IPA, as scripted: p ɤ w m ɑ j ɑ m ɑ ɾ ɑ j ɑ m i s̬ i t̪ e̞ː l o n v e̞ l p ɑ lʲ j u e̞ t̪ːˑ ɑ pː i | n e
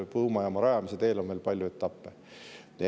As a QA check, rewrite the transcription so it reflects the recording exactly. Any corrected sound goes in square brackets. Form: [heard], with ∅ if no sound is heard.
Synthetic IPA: p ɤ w m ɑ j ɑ m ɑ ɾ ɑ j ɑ m i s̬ [e] t̪ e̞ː l o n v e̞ l p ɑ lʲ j u e̞ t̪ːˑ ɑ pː [e] | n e